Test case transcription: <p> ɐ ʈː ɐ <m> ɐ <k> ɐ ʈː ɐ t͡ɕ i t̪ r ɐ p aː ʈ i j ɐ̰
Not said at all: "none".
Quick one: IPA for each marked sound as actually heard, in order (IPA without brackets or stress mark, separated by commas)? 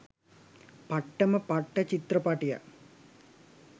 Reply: p, m, p